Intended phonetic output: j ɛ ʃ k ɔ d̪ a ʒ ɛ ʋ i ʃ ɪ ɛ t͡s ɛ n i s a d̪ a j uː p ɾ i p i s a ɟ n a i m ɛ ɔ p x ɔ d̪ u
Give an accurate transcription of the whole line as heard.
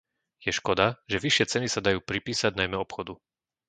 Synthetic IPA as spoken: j ɛ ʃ k ɔ d̪ a ʒ ɛ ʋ i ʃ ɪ ɛ t͡s ɛ n i s a d̪ a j uː p ɾ i p iː s a ɟ n a j m ɛ ɔ p x ɔ d̪ u